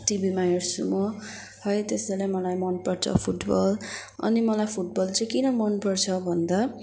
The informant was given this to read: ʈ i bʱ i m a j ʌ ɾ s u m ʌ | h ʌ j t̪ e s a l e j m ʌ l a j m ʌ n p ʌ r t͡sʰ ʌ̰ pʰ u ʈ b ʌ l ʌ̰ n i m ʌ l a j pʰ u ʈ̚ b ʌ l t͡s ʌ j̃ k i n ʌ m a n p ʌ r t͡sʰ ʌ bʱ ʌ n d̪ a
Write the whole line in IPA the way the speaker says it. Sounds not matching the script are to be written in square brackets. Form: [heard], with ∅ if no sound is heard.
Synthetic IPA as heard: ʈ i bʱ i m a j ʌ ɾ s u m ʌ | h ʌ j t̪ e s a l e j m ʌ l a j m ʌ n p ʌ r t͡sʰ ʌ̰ pʰ u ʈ b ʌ l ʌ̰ n i m ʌ l a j pʰ u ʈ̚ b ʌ l t͡s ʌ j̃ k i n ʌ m [ʌ] n p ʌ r t͡sʰ ʌ bʱ ʌ n d̪ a